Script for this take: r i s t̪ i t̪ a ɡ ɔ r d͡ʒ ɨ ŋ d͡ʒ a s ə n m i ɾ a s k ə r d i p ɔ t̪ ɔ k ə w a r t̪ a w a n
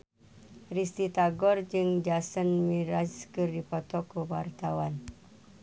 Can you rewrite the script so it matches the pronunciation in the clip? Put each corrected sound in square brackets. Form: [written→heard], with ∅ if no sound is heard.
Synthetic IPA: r i s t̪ i t̪ a ɡ ɔ r d͡ʒ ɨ ŋ d͡ʒ a s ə n m i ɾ a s k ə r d i p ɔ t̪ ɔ k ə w a r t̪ a w a n